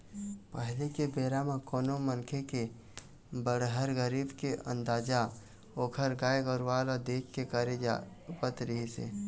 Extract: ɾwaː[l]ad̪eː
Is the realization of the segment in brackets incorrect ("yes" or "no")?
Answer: no